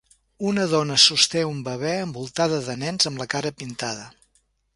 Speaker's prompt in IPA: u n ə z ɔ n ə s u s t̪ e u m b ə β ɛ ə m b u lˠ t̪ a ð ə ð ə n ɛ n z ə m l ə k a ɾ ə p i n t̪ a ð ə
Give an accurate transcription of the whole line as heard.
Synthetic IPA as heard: u n ə ð ɔ n ə s u s t̪ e u m b ə β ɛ ə m b u lˠ t̪ a ð ə ð ə n ɛ n z ə m l ə k a ɾ ə p i n t̪ a ð ə